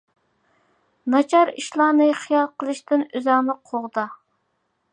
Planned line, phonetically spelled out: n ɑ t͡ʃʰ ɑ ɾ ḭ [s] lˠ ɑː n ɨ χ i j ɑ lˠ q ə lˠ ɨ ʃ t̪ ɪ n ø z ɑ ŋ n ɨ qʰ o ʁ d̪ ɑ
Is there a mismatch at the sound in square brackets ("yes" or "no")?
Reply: yes